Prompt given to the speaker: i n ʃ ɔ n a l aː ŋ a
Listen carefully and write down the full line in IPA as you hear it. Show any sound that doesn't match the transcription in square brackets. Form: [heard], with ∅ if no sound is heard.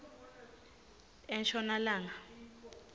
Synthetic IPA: [ɛ] n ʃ ɔ n a l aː ŋ a